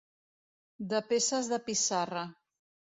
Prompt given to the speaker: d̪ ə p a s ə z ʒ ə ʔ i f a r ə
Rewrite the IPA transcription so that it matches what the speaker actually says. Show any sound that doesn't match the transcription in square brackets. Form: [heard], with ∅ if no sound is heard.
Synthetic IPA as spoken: d̪ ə p [e] s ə z [ð] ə [p] i [s] a r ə